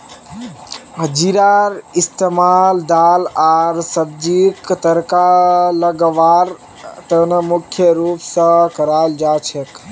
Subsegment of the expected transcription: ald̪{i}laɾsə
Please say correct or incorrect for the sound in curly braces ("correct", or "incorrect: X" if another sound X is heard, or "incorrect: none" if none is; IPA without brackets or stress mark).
incorrect: a